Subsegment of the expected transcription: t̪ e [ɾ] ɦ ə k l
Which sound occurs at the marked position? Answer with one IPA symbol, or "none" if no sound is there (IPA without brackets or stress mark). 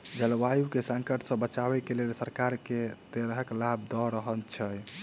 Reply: ɾ